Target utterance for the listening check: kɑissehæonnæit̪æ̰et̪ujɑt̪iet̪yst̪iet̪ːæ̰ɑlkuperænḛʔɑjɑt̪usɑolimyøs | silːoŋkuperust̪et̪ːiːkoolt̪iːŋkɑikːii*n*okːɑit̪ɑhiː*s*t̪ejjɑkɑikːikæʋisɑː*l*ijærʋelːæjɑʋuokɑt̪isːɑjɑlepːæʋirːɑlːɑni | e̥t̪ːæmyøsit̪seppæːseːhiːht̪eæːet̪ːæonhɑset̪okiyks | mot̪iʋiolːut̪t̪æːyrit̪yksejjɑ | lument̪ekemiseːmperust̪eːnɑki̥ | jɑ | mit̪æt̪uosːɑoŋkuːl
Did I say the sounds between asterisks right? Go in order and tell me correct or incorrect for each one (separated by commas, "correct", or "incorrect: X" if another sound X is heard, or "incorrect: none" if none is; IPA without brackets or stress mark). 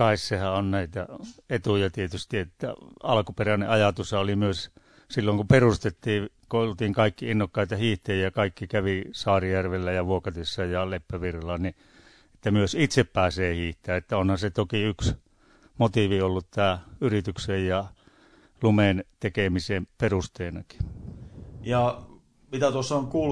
incorrect: nː, incorrect: h, incorrect: r